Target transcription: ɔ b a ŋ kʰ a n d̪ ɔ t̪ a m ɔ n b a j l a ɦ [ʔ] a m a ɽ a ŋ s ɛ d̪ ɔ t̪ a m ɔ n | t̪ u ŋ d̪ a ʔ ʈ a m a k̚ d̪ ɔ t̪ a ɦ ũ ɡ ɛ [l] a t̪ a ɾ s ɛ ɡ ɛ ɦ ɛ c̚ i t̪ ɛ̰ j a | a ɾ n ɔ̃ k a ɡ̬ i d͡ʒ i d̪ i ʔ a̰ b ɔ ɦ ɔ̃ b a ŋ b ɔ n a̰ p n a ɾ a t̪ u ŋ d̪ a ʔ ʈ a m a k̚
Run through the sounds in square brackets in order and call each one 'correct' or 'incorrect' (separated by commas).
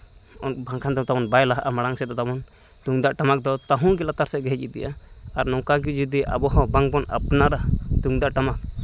correct, correct